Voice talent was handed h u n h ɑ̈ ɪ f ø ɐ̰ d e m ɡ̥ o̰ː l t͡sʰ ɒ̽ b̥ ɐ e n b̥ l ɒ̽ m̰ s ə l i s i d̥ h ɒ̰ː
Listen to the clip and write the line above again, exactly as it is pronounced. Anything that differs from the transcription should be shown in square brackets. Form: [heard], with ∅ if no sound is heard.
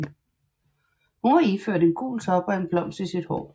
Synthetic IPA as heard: h u n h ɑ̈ [i] f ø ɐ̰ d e [n] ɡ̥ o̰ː l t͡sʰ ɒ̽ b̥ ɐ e n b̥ l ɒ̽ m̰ s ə [∅] i s i d̥ h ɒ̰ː

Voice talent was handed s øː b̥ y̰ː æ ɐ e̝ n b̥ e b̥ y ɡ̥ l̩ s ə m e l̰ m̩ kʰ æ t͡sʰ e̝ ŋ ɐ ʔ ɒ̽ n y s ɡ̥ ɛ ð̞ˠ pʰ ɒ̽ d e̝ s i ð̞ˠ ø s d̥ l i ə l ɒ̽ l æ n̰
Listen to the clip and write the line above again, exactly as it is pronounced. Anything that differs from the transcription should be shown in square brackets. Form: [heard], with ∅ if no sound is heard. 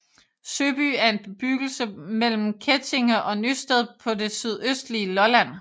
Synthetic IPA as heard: s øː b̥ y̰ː æ ɐ e̝ n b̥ e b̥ y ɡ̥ l̩ s ə m e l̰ m̩ kʰ [e] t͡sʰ e̝ ŋ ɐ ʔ ɒ̽ n y s [d̥] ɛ ð̞ˠ pʰ ɒ̽ d e̝ s [y] ð̞ˠ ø s d̥ l i ə l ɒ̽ l æ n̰

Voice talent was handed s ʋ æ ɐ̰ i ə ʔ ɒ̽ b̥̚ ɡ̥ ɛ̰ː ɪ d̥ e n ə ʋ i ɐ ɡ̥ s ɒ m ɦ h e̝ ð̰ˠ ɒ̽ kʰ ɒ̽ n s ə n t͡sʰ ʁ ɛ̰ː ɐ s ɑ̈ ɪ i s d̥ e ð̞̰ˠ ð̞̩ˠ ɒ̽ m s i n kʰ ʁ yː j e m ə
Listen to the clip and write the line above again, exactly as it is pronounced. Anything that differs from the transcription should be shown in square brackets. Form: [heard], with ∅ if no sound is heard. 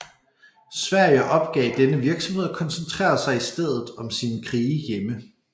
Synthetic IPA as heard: s ʋ æ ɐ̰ [j] ə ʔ ɒ̽ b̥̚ ɡ̥ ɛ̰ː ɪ d̥ e n ə ʋ i ɐ ɡ̥ s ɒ m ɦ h e̝ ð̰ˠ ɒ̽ kʰ ɒ̽ n s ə n t͡sʰ ʁ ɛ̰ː ɐ s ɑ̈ ɪ i s d̥ e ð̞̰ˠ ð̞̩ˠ ɒ̽ m s i n kʰ ʁ [iː] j e m ə

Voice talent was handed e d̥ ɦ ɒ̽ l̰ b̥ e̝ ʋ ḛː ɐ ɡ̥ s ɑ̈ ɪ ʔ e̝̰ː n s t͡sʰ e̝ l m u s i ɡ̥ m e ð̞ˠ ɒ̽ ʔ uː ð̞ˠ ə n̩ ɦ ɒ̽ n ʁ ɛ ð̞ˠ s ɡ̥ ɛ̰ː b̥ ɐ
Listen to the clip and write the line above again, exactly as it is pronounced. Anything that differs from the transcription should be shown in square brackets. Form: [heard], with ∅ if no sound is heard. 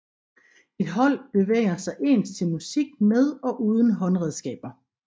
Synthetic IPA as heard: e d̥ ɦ ɒ̽ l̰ b̥ e̝ ʋ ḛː ɐ [∅] s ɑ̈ ɪ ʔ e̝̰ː n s t͡sʰ e̝ l m u s i ɡ̥ m e ð̞ˠ ɒ̽ ʔ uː ð̞ˠ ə n̩ ɦ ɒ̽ n ʁ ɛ ð̞ˠ s ɡ̥ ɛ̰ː b̥ ɐ

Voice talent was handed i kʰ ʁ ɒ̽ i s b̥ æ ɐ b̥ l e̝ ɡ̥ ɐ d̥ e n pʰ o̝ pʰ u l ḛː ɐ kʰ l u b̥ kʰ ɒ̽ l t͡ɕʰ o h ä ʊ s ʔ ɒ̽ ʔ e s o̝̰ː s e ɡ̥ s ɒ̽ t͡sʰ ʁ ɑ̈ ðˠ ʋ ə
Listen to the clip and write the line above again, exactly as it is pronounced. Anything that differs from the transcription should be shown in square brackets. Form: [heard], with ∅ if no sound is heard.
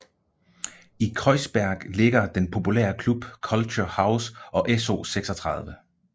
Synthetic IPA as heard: i kʰ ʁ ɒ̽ [ɪ] s b̥ æ ɐ [ɡ̥] l e̝ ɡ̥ ɐ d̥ e n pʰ o̝ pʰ u l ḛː ɐ kʰ l u b̥ kʰ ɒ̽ l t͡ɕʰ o h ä ʊ s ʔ ɒ̽ ʔ e s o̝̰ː s e ɡ̥ s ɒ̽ t͡sʰ ʁ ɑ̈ ðˠ ʋ ə

